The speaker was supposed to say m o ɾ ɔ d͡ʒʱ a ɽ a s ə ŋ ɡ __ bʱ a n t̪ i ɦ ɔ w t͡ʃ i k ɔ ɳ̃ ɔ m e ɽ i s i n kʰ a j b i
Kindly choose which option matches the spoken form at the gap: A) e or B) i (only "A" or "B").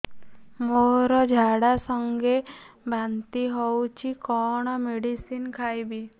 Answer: A